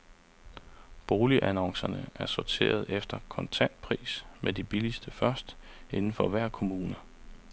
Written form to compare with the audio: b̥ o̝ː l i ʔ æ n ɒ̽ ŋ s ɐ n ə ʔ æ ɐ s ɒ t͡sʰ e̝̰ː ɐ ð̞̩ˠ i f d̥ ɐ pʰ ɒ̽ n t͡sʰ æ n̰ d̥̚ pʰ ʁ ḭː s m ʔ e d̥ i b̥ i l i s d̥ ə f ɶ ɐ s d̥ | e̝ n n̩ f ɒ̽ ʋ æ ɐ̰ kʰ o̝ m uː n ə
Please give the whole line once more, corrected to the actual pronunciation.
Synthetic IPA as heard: b̥ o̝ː l i ʔ æ n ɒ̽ ŋ s ɐ n ə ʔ æ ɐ s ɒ t͡sʰ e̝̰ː ɐ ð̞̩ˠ e f d̥ ɐ kʰ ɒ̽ n t͡sʰ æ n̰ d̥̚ pʰ ʁ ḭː s m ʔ e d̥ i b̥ i l i s d̥ ə f ɶ ɐ s d̥ | e̝ n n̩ f ɒ̽ ʋ æ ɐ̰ kʰ o̝ m uː n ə